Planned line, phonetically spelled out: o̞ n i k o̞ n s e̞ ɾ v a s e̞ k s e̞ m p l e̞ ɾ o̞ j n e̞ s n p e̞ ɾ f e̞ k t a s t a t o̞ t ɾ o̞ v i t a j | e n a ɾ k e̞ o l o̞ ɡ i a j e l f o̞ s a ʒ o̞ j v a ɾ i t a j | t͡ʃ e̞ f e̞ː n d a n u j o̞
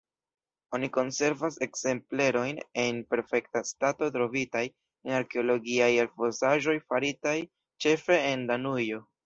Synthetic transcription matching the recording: o̞ n i k o̞ n s e̞ ɾ v a s e̞ k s e̞ m p l e̞ ɾ o̞ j n e̞ n p e̞ ɾ f e̞ k t a s t a t o̞ t ɾ o̞ v i t a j | e n a ɾ k e̞ o l o̞ ɡ i a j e l f o̞ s a ʒ o̞ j f a ɾ i t a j | t͡ʃ e̞ f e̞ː n d a n u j o̞